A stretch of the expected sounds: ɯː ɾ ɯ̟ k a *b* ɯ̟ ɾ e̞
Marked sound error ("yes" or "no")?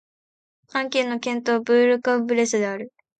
no